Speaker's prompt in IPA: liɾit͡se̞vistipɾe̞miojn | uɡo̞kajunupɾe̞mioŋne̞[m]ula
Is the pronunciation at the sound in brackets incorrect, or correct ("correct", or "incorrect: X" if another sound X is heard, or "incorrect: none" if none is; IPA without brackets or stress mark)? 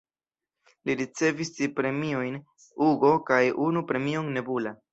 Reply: incorrect: b